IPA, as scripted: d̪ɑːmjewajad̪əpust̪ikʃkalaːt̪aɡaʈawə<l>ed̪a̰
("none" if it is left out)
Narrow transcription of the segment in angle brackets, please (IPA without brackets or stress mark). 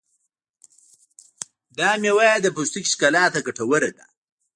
ɾ